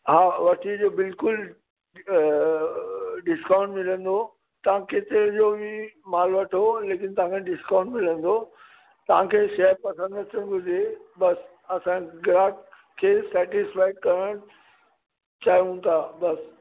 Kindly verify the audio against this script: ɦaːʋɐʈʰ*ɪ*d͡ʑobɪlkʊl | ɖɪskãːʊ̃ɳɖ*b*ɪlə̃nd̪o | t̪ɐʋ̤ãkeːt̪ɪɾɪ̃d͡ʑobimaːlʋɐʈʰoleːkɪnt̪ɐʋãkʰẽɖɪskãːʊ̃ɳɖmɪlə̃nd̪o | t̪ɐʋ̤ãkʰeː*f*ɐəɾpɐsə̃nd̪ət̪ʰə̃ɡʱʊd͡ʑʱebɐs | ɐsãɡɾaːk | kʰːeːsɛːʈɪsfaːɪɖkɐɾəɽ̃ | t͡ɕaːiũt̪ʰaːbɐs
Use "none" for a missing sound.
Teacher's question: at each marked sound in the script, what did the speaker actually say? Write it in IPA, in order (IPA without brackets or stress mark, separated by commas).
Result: i, m, ʃ